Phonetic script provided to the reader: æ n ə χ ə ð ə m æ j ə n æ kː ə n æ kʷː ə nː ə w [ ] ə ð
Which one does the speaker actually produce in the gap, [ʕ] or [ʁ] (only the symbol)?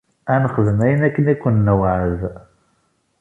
ʕ